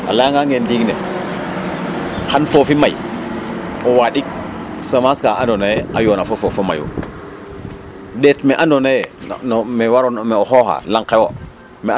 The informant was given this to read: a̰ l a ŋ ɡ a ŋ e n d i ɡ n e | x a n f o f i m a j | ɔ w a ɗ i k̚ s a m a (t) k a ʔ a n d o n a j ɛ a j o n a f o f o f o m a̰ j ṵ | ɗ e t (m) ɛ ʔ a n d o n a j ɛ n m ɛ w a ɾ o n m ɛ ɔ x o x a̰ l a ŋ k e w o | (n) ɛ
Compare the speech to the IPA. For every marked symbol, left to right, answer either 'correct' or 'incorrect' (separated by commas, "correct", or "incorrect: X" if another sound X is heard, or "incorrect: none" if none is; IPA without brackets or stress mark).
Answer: incorrect: s, correct, incorrect: m